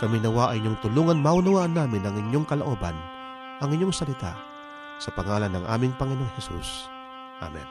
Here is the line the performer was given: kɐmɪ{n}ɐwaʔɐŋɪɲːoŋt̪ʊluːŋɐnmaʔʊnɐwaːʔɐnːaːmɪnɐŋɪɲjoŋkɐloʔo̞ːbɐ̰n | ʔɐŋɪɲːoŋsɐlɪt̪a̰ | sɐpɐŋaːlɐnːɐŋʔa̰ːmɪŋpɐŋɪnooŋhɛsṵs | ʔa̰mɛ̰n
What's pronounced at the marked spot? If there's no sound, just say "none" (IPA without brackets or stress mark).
n